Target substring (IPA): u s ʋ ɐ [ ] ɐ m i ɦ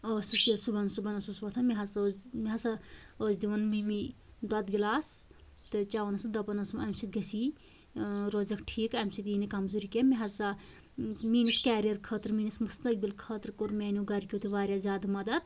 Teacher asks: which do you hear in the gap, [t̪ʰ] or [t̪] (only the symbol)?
t̪ʰ